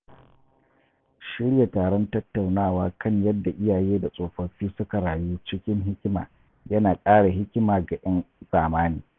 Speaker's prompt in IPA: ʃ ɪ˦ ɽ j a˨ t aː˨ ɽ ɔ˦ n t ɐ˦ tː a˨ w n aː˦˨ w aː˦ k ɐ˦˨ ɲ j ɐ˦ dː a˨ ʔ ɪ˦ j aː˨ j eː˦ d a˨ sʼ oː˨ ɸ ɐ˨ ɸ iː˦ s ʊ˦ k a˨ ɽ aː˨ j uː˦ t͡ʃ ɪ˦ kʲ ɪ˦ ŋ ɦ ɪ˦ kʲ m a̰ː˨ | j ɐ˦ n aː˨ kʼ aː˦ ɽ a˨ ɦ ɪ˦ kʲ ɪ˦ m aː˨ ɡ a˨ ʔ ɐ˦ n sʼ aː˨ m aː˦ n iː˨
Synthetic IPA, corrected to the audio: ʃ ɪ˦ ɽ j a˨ t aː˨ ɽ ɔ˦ n t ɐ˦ tː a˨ w n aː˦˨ w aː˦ k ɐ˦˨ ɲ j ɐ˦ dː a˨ ʔ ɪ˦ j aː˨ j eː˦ d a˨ sʼ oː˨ ɸ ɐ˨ ɸ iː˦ s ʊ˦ k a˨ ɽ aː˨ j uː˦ t͡ʃ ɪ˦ kʲ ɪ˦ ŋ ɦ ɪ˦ kʲ m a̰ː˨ | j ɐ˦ n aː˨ kʼ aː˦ ɽ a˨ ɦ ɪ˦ kʲ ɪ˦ m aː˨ ɡ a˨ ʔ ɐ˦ n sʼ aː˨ m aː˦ n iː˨